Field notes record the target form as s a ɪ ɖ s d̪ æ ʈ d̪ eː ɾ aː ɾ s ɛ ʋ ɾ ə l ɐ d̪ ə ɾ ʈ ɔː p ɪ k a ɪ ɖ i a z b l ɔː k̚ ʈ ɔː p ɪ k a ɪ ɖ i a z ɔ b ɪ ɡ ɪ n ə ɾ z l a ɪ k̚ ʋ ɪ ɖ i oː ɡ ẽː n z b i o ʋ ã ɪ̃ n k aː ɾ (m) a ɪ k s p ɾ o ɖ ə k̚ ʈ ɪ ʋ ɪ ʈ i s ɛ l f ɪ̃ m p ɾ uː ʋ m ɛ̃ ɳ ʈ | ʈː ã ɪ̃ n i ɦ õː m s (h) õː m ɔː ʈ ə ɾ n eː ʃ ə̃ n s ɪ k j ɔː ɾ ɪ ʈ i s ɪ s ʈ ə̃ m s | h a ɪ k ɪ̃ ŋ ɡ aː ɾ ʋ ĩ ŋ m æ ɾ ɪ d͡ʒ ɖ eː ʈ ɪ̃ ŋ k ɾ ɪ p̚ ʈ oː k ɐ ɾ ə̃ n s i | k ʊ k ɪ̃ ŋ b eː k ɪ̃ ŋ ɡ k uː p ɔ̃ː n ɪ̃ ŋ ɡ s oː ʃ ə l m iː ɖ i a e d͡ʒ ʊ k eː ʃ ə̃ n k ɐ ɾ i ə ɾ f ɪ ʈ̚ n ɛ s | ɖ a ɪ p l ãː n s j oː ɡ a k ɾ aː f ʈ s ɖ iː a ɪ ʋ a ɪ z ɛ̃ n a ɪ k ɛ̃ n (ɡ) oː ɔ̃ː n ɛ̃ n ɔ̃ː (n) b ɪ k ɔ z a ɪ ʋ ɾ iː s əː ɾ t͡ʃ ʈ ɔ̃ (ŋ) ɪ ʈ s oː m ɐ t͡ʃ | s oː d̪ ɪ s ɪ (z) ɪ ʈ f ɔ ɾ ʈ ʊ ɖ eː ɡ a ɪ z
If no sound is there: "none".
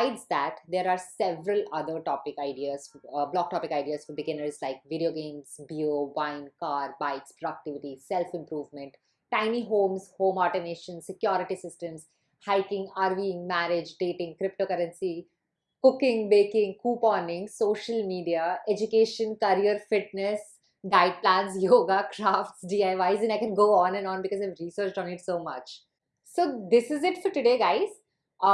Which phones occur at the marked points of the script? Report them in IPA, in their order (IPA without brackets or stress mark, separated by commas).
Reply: b, h, ɡ, n, n, z